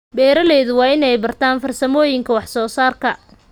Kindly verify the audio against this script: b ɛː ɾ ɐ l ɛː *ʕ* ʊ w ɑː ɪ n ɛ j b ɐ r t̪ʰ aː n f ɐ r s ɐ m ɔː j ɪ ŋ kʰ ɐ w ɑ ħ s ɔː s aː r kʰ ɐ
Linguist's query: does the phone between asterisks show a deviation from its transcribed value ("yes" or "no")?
yes